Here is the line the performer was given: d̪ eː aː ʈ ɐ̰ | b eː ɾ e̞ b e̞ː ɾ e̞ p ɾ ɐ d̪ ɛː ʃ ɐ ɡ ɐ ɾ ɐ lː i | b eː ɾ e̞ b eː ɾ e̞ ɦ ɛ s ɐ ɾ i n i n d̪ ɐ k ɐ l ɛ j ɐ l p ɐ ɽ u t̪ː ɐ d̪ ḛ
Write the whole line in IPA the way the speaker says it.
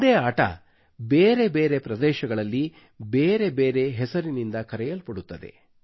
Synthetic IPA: d̪ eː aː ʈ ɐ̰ | b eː ɾ e̞ b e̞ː ɾ e̞ p ɾ ɐ d̪ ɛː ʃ ɐ ɡ ɐ ɭ ɐ lː i | b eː ɾ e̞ b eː ɾ e̞ ɦ ɛ s ɐ ɾ i n i n d̪ ɐ k ɐ ɾ ɛ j ɐ l p ɐ ɽ u t̪ː ɐ d̪ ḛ